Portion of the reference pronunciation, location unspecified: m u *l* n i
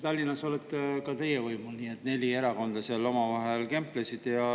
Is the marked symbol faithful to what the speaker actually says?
yes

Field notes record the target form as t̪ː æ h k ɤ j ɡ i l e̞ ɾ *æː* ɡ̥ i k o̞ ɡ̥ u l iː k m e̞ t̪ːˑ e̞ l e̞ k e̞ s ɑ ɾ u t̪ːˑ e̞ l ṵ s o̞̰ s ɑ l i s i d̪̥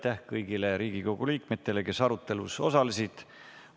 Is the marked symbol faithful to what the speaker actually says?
no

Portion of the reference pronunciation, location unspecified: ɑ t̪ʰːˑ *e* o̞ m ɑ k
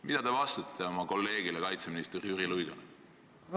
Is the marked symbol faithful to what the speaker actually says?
yes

